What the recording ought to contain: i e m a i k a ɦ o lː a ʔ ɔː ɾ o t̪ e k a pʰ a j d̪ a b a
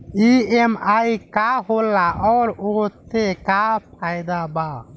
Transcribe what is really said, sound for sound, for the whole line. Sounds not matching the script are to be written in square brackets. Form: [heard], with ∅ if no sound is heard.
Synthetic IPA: i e m a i k a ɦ o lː a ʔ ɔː ɾ o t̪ e k a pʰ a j d̪ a b a